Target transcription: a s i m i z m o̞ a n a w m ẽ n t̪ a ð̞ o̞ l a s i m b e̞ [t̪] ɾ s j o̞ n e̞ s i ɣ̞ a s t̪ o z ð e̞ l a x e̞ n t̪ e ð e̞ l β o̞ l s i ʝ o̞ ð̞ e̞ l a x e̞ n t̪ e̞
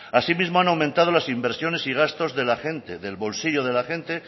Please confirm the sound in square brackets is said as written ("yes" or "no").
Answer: no